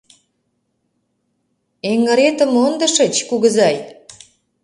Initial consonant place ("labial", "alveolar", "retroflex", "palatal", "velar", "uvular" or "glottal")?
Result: velar